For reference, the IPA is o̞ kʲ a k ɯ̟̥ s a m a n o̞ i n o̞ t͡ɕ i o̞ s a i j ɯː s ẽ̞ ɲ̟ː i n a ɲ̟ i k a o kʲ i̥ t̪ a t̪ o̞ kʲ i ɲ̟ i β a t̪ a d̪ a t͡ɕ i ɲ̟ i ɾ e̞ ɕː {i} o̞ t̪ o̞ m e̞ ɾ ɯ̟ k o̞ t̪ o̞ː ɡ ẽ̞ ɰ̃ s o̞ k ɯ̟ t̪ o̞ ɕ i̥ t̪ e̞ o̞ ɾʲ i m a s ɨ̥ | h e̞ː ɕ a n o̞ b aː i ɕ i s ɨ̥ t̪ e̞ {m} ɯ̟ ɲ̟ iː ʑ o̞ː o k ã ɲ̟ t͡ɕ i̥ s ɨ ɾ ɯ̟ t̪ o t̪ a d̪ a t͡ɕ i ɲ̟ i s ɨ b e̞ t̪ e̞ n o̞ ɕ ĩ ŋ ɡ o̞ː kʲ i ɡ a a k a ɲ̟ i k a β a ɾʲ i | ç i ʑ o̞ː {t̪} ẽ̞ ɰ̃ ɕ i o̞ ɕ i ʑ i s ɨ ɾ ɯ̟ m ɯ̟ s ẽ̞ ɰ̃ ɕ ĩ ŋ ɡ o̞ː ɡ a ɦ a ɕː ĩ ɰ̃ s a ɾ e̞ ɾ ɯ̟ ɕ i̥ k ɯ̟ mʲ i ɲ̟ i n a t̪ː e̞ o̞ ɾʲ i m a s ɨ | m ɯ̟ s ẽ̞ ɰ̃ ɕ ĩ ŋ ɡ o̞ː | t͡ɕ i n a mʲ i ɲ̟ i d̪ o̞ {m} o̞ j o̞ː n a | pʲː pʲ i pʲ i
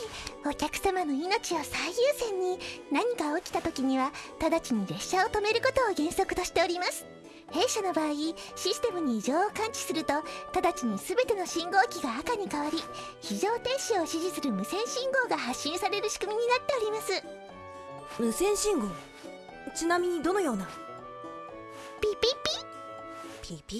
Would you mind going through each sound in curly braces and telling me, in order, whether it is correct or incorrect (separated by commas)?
incorrect, correct, correct, incorrect